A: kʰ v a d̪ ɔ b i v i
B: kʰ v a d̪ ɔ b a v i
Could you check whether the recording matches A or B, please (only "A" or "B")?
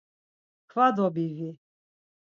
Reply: A